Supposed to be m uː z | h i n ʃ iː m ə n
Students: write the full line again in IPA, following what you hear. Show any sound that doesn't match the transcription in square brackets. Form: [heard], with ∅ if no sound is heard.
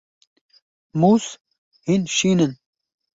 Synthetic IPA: m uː [s] | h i n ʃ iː [n] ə n